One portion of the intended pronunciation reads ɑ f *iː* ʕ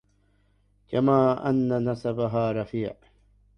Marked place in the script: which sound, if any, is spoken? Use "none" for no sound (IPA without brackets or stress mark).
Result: iː